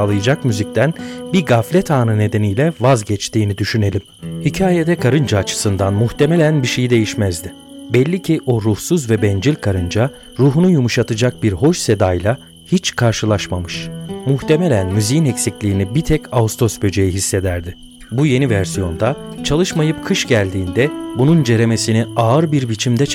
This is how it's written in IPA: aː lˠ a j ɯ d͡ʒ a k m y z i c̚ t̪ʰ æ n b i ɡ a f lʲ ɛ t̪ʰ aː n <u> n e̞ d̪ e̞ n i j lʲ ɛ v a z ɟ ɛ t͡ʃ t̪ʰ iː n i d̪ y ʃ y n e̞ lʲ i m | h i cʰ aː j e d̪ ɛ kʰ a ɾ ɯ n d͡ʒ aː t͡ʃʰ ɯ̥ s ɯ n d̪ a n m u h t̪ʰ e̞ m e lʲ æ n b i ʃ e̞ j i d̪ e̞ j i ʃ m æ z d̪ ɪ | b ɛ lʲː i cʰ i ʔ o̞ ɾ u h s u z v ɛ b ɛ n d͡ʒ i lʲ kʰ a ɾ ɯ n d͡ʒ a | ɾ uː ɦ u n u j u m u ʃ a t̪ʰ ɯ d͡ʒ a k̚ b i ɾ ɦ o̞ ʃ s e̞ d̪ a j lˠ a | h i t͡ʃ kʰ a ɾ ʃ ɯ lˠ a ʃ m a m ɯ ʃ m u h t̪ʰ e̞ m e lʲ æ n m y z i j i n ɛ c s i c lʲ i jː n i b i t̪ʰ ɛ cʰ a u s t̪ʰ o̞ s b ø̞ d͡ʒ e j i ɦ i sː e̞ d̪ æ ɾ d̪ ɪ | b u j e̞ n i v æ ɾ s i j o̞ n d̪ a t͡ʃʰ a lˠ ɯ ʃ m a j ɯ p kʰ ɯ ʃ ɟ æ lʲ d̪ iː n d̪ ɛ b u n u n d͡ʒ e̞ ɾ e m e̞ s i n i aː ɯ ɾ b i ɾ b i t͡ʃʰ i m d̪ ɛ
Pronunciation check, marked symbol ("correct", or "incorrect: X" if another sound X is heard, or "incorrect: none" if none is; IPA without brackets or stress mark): incorrect: ɯ